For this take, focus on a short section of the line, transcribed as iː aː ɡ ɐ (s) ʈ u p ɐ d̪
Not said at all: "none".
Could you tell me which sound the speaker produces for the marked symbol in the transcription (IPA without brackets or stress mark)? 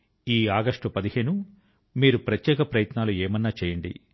ʂ